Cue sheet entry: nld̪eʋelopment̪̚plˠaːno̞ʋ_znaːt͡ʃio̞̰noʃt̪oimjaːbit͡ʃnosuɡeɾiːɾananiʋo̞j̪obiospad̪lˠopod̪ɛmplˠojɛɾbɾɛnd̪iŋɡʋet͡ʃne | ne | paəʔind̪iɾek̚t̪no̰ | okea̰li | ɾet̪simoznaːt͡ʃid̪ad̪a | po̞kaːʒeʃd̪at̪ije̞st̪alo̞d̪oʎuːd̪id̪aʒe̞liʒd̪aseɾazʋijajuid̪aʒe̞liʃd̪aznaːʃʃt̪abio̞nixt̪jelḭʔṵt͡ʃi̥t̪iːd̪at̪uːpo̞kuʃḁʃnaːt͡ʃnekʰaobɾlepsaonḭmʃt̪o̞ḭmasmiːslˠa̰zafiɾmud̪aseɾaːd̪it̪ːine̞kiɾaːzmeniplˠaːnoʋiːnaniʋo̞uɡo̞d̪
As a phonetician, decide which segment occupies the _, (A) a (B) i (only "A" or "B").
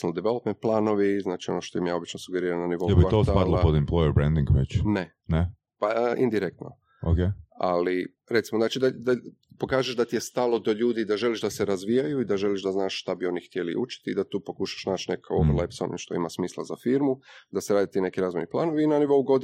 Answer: B